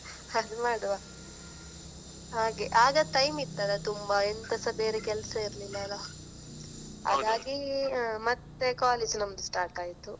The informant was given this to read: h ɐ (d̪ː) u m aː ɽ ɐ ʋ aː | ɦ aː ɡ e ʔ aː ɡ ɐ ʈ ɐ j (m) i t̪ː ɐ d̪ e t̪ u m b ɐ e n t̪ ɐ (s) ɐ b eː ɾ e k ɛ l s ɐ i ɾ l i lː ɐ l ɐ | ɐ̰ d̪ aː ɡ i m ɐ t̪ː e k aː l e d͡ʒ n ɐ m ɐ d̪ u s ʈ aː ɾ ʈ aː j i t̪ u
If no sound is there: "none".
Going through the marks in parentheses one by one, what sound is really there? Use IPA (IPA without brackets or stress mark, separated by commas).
d̪, m, s